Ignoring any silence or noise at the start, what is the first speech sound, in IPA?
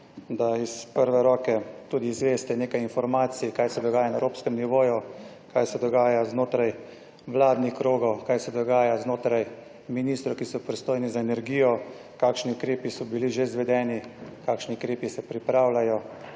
d̪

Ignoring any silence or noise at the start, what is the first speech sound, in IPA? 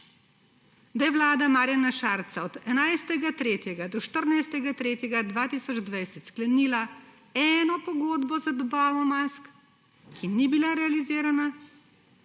d̪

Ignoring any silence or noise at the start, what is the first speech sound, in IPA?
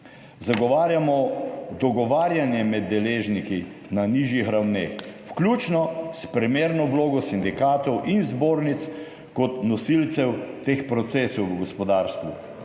z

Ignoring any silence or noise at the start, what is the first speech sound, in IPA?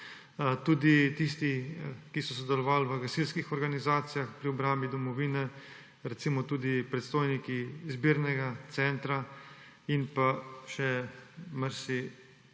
t̪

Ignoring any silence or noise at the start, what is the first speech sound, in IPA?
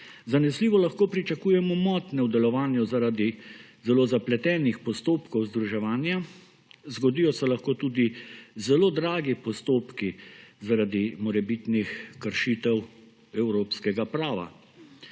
z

